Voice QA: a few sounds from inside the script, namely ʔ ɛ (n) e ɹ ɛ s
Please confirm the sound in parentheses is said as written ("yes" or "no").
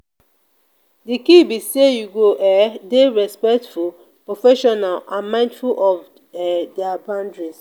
no